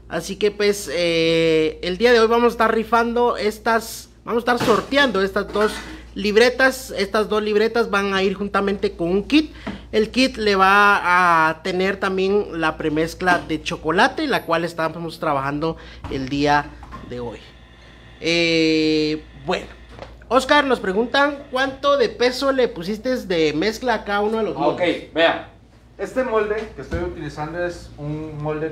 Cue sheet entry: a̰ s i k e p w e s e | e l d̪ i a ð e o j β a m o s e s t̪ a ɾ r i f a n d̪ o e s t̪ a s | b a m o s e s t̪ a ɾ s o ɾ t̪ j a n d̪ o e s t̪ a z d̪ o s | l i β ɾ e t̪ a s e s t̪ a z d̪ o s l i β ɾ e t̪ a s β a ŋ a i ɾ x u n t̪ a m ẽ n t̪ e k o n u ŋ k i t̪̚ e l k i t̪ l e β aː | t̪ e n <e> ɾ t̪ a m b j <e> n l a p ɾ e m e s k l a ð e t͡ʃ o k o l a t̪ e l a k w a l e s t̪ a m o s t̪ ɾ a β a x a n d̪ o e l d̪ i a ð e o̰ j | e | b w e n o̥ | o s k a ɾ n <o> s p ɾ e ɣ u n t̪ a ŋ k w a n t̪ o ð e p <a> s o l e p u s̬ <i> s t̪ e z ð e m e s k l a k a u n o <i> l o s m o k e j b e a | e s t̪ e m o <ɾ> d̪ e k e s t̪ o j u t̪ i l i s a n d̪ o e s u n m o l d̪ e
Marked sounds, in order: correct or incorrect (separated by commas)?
correct, correct, correct, incorrect, correct, incorrect, incorrect